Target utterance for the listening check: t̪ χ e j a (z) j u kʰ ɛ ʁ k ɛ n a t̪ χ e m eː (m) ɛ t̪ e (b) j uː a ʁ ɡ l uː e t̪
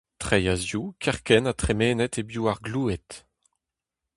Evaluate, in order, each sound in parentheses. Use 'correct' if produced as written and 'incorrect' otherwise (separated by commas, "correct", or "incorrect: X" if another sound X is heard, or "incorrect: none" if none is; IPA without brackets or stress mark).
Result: correct, incorrect: n, correct